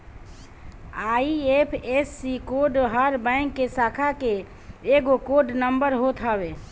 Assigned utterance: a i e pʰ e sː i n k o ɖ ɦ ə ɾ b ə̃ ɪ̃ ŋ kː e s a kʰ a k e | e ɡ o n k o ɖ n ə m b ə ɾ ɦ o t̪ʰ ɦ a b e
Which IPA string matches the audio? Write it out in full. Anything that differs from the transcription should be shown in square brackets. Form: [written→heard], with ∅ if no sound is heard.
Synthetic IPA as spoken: a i e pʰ e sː i [n→∅] k o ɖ ɦ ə ɾ b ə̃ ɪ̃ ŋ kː e s a kʰ a k e | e ɡ o [n→∅] k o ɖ n ə m b ə ɾ ɦ o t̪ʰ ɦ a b e